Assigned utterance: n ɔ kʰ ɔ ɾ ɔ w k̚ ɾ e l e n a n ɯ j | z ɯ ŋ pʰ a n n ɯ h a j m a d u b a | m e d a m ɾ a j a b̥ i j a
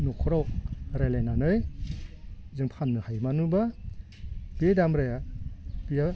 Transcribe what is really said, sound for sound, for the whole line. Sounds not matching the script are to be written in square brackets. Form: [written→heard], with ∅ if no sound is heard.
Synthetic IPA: n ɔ kʰ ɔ ɾ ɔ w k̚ ɾ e l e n a n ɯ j | z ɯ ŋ pʰ a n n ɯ h a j m a [d→n] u b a | [m→b] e d a m ɾ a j a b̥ i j a